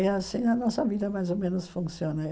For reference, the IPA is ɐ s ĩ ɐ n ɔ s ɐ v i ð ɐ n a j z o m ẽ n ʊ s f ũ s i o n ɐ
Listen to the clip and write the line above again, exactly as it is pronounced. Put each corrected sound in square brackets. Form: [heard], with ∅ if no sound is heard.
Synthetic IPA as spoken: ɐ s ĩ ɐ n ɔ s ɐ v i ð ɐ [m] a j z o m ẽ n ʊ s f ũ s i o n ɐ